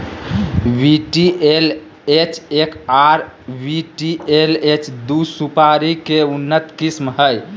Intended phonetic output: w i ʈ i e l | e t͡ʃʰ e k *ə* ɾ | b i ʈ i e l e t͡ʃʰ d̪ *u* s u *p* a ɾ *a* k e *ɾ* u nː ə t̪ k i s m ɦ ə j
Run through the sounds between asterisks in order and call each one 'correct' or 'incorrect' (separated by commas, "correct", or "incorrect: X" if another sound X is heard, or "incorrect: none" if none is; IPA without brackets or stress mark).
incorrect: a, correct, correct, incorrect: i, incorrect: none